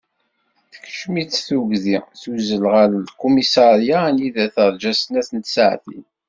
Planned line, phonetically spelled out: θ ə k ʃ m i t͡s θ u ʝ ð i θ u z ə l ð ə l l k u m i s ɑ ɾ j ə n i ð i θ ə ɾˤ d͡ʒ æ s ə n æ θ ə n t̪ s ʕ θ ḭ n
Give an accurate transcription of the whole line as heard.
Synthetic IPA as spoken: θ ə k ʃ m i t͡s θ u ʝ ð i θ u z ə l ʁ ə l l k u m i s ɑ ɾ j a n i ð æ θ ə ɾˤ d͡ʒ æ s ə n æ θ ə n t̪ s ʕ θ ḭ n